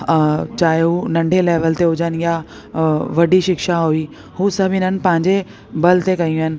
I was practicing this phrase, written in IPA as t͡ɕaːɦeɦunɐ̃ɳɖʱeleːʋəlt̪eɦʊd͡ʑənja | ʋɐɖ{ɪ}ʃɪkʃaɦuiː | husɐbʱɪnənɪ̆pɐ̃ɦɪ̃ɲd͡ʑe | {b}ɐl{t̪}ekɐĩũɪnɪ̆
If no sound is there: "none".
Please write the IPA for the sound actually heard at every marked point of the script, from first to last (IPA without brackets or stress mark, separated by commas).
i, b, t̪